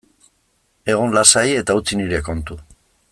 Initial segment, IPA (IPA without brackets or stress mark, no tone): e̞